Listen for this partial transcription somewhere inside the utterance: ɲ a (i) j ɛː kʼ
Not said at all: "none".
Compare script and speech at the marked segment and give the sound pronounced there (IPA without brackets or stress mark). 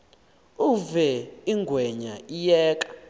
i